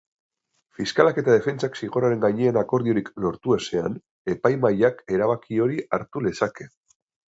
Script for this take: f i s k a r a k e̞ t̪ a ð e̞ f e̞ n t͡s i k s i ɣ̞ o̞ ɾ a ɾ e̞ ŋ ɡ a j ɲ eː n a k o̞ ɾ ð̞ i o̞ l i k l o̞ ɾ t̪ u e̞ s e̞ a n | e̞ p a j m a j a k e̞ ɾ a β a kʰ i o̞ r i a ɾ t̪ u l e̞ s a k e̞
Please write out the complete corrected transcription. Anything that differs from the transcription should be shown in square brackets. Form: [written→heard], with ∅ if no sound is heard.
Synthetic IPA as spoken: f i s k a [r→l] a k e̞ t̪ a ð e̞ f e̞ n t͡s [i→a] k s i ɣ̞ o̞ ɾ a ɾ e̞ ŋ ɡ a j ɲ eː n a k o̞ ɾ ð̞ i o̞ [l→ɾ] i k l o̞ ɾ t̪ u e̞ s e̞ a n | e̞ p a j m a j a k e̞ ɾ a β a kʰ i o̞ [r→ɾ] i a ɾ t̪ u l e̞ s a k e̞